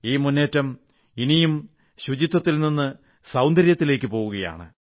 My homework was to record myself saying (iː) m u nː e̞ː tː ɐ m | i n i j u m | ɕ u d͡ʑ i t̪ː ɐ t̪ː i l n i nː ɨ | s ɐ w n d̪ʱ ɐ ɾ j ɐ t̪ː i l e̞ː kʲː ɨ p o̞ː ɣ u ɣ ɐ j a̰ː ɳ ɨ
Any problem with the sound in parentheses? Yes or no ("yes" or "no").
no